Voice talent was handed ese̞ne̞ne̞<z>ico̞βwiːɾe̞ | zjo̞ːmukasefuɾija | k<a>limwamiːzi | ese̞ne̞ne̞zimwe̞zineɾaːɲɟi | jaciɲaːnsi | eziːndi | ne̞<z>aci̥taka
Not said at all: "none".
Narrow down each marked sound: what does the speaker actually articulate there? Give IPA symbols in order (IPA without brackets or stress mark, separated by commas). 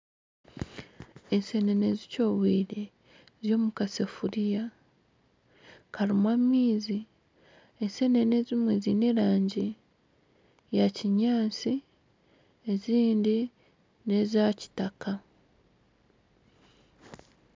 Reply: z, a, z